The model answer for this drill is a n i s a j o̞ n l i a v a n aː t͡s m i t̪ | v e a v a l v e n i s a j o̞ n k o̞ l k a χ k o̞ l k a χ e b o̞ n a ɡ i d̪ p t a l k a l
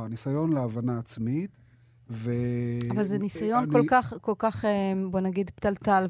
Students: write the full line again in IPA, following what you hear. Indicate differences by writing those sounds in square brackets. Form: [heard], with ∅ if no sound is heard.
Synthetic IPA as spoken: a n i s a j o̞ n l [e] a v a n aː t͡s m i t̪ | v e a v a l [z] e n i s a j o̞ n k o̞ l k a χ k o̞ l k a χ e b o̞ n a ɡ i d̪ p t a l [t] a l